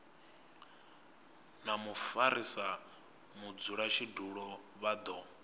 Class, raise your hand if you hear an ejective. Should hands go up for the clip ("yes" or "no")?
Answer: no